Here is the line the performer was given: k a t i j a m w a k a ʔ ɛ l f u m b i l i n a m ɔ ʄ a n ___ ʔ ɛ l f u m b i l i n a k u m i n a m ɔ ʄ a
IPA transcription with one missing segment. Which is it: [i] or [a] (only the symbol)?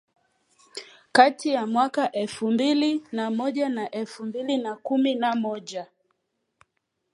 a